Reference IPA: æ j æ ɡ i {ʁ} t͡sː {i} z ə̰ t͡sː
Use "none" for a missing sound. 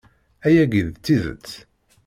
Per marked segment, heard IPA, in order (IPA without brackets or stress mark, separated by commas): ð, i